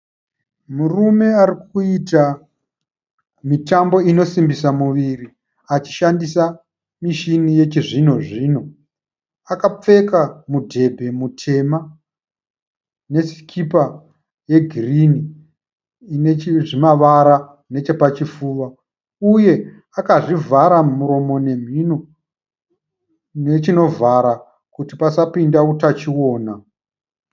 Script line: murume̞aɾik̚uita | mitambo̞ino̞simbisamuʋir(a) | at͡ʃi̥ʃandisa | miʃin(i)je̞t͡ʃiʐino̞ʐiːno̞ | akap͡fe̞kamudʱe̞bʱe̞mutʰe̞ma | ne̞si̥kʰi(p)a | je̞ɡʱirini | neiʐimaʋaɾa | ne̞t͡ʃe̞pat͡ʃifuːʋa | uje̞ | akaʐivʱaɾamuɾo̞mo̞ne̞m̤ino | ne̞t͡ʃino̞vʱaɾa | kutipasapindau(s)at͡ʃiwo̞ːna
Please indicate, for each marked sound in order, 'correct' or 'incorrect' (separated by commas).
incorrect, correct, correct, incorrect